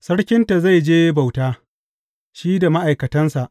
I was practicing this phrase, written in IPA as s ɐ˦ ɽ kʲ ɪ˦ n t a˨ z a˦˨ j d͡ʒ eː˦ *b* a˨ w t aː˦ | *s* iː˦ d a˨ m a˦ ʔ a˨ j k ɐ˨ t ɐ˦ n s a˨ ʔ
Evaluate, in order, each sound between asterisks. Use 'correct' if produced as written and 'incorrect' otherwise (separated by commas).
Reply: correct, incorrect